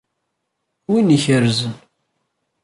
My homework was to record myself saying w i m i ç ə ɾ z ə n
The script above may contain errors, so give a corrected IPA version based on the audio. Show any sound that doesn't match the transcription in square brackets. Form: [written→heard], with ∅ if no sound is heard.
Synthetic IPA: w i [m→n] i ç ə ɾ z ə n